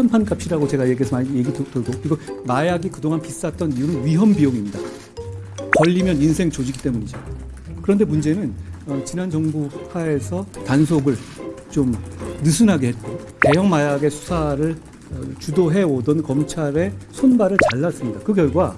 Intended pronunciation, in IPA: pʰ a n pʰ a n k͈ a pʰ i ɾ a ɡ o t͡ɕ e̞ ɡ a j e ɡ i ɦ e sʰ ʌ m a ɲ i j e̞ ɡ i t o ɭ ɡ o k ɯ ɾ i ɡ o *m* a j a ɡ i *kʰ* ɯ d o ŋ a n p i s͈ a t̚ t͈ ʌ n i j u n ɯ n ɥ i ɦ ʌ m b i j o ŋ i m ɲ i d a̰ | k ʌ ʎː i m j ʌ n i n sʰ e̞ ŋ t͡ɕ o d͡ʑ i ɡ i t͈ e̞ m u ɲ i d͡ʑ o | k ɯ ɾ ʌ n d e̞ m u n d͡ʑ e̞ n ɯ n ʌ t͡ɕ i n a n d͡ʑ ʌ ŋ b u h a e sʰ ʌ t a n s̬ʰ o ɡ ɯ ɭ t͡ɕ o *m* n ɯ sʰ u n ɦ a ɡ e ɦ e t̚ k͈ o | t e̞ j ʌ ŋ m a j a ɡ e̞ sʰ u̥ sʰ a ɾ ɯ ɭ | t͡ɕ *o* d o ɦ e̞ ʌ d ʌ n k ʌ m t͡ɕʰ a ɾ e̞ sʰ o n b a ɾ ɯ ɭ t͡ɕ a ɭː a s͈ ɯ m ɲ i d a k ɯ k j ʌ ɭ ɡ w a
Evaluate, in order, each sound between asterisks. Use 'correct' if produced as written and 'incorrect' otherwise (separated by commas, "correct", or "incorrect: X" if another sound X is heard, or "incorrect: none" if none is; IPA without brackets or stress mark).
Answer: correct, incorrect: k, correct, incorrect: u